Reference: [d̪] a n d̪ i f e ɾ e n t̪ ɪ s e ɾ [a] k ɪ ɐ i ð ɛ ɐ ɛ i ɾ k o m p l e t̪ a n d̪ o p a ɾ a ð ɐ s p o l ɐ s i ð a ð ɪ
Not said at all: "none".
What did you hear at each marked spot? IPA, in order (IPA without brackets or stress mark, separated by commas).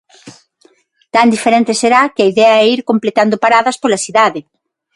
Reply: t̪, a